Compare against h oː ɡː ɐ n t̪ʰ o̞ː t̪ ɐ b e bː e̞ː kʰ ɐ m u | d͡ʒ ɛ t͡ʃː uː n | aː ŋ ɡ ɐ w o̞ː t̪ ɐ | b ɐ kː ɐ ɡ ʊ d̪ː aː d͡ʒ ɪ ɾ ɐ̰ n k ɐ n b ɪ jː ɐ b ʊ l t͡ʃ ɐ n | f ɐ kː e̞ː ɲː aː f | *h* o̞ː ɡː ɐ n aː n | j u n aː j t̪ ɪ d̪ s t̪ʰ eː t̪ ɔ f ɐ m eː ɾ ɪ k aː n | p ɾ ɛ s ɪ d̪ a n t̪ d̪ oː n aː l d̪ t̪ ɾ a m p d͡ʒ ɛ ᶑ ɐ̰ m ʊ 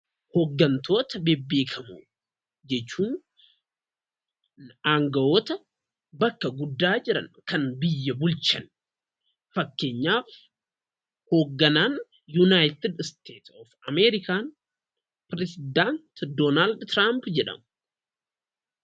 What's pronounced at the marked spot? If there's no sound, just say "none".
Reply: h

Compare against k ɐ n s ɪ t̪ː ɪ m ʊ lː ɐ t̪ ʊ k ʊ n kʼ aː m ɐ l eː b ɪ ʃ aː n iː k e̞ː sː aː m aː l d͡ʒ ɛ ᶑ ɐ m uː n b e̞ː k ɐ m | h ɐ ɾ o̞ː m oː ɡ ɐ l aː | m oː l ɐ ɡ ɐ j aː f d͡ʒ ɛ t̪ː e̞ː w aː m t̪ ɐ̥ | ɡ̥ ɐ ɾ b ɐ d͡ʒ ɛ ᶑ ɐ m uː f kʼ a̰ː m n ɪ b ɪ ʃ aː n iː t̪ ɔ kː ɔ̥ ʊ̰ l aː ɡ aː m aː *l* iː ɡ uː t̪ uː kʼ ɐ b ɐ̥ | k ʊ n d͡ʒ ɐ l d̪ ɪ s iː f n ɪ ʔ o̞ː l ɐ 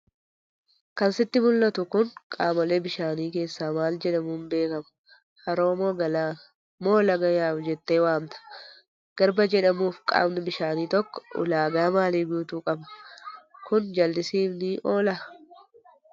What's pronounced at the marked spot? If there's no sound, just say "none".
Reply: l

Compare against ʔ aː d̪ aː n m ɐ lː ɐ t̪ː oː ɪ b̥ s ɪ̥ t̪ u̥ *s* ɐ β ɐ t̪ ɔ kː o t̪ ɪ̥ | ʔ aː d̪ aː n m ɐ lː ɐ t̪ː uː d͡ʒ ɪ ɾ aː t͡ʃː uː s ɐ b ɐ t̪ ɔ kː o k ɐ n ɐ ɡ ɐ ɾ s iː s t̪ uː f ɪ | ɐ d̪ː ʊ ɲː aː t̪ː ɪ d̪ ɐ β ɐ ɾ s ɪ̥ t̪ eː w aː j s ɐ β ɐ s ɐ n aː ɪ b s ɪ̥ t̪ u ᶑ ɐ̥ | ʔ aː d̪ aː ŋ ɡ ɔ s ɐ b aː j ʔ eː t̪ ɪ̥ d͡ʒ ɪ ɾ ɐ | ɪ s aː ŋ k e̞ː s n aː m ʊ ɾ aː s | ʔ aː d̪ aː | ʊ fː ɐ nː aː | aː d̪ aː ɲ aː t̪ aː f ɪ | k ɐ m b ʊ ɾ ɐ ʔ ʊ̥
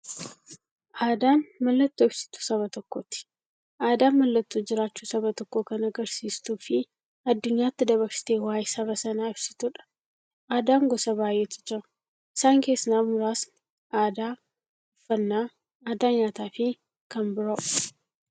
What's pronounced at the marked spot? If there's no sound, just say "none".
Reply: s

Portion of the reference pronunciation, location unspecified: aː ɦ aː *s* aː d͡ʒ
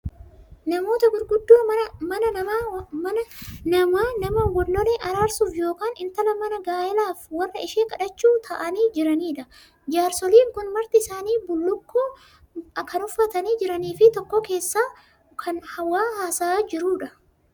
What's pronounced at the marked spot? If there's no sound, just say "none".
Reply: s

